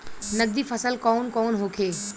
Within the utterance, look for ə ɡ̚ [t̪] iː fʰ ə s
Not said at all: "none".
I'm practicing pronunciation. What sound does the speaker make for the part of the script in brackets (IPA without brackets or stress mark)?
d̪